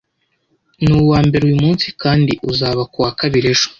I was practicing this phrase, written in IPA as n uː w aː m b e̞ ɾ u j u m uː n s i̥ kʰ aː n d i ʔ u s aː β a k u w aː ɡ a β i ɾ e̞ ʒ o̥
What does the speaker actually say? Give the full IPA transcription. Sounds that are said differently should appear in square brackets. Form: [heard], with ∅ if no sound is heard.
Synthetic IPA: n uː w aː m b e̞ ɾ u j u m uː n s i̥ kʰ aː n d i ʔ u [z] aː β a k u w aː [k] a β i ɾ e̞ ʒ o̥